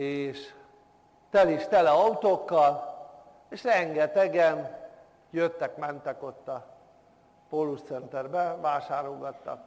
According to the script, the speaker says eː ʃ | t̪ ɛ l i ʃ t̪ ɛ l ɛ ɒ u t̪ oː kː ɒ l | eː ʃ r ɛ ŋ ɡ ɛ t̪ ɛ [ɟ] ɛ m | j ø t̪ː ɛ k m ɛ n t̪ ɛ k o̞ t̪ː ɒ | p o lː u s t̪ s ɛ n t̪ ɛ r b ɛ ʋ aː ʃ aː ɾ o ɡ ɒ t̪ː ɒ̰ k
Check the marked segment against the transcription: incorrect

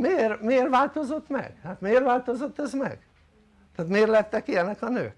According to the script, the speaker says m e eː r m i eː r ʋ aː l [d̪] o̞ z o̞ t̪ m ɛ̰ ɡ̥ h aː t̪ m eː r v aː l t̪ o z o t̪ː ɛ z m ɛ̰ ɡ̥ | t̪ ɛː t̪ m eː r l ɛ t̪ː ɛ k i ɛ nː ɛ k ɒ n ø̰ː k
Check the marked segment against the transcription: incorrect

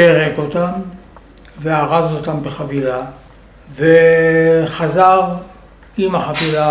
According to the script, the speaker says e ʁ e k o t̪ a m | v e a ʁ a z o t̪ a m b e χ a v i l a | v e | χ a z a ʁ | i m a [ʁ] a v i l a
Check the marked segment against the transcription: incorrect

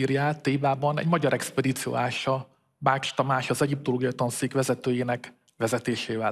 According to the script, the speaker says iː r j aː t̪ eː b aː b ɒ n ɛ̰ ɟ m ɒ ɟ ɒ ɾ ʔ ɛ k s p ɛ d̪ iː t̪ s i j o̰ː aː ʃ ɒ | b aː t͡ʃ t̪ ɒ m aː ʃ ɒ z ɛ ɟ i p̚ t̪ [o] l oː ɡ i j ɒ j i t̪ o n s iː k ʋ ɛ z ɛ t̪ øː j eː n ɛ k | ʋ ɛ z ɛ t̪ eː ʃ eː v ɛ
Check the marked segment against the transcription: correct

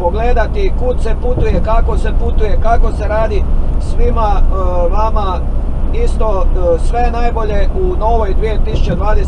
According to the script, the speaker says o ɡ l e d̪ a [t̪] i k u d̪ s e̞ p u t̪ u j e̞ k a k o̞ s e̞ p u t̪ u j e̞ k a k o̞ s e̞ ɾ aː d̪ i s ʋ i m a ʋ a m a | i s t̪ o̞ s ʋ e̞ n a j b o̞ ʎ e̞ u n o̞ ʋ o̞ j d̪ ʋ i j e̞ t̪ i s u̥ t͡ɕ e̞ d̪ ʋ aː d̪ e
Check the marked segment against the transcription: correct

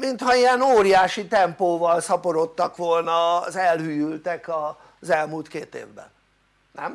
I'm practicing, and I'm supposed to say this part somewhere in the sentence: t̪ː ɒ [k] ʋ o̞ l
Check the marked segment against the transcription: correct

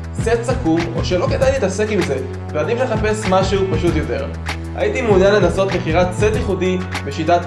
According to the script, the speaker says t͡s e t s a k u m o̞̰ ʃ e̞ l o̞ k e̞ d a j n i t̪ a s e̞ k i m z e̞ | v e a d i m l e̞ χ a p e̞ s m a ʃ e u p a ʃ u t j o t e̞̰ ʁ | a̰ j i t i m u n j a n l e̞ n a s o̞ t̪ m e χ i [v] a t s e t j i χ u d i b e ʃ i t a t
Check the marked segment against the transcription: incorrect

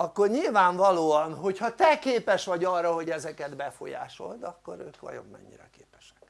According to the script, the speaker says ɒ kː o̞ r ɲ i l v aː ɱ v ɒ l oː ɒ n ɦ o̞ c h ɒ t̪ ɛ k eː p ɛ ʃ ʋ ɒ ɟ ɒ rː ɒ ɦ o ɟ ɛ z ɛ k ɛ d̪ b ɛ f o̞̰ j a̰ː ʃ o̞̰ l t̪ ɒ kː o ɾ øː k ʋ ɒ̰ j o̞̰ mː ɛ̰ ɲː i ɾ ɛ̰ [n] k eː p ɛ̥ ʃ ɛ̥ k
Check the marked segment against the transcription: incorrect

